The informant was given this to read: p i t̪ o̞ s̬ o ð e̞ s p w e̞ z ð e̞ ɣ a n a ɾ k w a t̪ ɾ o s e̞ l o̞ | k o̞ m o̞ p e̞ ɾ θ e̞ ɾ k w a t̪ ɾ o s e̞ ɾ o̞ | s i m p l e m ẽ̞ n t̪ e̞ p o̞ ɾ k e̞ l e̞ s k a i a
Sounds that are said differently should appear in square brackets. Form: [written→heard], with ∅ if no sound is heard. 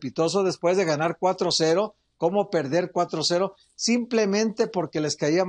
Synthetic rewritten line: p i t̪ o̞ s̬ o ð e̞ s p w e̞ z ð e̞ ɣ a n a ɾ k w a t̪ ɾ o s e̞ [l→ɾ] o̞ | k o̞ m o̞ p e̞ ɾ [θ→ð] e̞ ɾ k w a t̪ ɾ o s e̞ ɾ o̞ | s i m p l e m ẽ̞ n t̪ e̞ p o̞ ɾ k e̞ l e̞ s k a i a